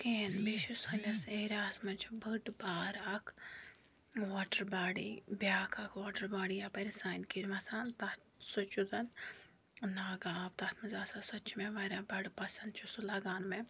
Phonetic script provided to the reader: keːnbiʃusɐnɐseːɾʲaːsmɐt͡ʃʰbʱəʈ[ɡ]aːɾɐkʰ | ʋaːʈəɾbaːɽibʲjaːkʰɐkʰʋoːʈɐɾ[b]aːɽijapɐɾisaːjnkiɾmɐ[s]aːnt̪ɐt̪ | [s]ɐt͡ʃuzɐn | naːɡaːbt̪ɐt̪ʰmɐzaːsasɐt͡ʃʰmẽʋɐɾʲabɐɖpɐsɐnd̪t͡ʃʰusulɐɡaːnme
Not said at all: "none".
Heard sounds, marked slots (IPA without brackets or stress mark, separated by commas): b, b, s, s